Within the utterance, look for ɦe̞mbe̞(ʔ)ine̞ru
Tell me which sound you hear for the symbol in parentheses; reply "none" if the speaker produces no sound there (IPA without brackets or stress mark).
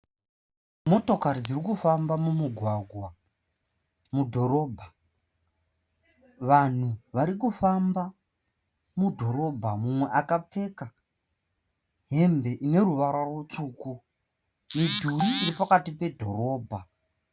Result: ʔ